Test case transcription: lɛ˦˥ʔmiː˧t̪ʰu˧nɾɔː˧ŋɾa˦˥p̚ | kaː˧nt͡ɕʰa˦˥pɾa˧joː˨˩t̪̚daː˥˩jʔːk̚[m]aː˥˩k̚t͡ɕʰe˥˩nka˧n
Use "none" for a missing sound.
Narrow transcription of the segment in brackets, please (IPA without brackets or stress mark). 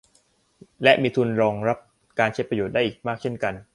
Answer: m